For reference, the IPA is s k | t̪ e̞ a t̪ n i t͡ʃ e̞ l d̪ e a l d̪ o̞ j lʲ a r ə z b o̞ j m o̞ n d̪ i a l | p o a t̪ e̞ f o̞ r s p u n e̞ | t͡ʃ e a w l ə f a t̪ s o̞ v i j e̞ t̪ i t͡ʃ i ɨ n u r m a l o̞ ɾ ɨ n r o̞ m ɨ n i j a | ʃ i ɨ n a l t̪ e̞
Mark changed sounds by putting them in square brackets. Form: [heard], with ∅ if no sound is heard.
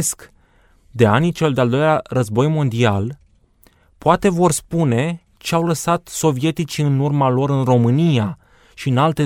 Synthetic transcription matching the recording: s k | [d̪] e̞ a [∅] n i t͡ʃ e̞ l d̪ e a l d̪ o̞ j lʲ a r ə z b o̞ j m o̞ n d̪ i a l | p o a t̪ e̞ [v] o̞ r s p u n e̞ | t͡ʃ e a w l ə [s] a t̪ s o̞ v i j e̞ t̪ i t͡ʃ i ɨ n u r m a l o̞ ɾ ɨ n r o̞ m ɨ n i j a | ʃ i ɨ n a l t̪ e̞